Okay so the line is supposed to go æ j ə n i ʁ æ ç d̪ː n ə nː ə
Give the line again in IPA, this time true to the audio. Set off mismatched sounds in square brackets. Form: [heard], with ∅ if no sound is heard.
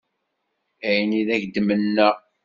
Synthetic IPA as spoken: æ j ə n i [ð] æ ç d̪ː [m] ə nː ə